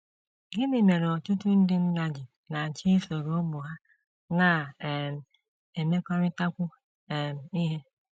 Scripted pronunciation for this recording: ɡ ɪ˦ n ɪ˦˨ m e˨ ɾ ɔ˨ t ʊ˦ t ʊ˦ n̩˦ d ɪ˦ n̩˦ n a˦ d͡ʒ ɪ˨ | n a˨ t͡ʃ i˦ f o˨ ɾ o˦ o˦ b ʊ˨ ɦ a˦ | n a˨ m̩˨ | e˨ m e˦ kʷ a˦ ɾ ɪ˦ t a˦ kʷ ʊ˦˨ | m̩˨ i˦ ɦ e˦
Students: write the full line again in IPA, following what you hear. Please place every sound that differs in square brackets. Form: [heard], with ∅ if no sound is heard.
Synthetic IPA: ɡ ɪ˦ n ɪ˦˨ m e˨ ɾ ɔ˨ t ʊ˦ t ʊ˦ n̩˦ d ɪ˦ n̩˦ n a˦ d͡ʒ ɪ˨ | n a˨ t͡ʃ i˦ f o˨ ɾ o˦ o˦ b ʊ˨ ɦ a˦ | n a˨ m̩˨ | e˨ m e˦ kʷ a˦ ɾ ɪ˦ t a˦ kʷ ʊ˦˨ | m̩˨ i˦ ɦ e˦